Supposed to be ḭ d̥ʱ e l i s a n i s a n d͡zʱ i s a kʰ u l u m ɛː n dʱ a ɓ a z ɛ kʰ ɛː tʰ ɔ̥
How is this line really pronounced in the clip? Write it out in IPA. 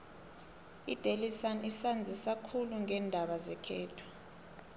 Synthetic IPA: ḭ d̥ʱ e l i s a n i s a n d͡zʱ i s a kʰ u l u ŋ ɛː n dʱ a ɓ a z ɛ kʰ ɛː tʰ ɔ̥